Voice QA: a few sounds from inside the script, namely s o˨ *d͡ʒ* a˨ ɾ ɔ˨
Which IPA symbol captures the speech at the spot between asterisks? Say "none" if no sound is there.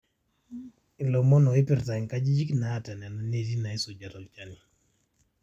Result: d͡ʒ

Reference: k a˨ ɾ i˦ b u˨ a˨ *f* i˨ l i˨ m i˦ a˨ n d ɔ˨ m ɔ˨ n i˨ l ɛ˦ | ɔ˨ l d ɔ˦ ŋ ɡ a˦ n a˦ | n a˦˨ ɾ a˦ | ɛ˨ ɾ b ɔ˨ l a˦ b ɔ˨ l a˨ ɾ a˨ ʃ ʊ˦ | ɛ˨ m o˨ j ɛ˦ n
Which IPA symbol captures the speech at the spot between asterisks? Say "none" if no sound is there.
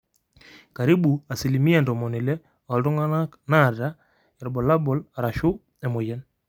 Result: s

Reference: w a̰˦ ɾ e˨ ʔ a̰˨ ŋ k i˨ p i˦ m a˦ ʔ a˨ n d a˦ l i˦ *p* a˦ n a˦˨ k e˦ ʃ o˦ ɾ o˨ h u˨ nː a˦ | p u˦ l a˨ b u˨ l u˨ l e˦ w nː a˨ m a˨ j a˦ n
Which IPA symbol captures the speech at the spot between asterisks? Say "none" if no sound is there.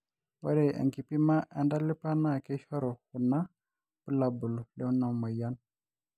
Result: p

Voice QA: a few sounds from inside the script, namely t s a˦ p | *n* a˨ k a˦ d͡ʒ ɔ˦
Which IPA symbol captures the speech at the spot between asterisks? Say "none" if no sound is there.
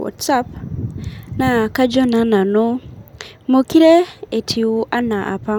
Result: n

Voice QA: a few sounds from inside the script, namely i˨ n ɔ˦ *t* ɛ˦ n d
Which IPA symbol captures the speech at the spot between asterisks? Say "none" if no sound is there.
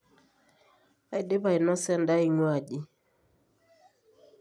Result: s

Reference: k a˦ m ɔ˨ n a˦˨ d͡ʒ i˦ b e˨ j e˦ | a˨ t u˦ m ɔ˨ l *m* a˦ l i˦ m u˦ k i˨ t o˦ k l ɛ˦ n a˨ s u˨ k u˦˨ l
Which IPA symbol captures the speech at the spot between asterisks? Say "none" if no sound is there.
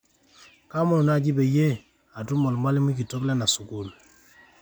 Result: m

